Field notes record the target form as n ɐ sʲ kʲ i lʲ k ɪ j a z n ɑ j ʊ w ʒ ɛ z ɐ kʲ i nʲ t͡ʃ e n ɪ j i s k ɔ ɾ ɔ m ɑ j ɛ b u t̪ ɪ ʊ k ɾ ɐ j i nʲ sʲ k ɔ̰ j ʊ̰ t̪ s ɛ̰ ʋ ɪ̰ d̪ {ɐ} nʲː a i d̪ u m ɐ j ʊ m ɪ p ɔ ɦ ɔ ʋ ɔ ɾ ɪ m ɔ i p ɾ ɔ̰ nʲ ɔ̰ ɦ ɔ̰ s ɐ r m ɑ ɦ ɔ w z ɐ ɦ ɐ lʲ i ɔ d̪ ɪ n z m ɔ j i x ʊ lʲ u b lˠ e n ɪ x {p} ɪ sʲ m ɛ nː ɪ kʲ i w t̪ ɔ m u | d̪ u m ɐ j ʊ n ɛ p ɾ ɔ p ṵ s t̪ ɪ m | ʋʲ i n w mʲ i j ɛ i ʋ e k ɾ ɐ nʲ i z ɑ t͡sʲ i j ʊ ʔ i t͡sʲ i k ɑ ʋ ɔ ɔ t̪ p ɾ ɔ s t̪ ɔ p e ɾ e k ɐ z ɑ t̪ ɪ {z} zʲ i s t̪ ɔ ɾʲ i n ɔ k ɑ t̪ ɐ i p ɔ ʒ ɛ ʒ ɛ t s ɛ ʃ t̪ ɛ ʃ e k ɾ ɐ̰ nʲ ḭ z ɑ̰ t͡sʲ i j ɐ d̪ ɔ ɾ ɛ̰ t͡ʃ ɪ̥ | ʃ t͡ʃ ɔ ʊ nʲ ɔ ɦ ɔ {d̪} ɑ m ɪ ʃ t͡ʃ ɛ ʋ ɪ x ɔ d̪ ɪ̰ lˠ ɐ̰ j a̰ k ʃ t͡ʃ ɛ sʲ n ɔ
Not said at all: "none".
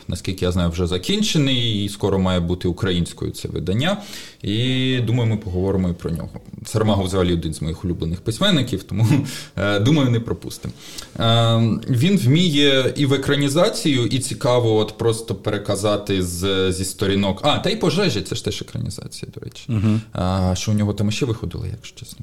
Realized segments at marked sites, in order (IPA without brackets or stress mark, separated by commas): ɐ, p, z, t̪